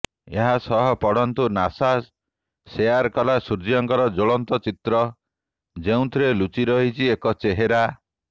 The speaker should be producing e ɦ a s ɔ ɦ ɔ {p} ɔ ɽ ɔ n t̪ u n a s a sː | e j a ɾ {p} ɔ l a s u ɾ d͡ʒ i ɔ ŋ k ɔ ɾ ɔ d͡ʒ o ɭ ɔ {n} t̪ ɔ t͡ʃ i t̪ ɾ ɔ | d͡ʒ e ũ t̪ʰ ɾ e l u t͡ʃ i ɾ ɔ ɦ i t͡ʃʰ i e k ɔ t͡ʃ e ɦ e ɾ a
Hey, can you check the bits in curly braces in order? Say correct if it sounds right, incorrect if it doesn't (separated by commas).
correct, incorrect, correct